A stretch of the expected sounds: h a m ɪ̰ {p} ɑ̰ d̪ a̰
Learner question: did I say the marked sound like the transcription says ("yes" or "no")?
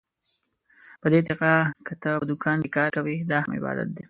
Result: no